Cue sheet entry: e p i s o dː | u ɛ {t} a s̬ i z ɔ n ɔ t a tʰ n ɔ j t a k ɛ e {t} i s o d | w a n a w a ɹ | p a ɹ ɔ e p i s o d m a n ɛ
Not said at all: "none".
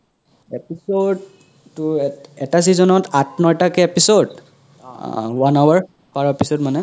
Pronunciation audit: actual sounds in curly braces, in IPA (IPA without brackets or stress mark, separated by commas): t, p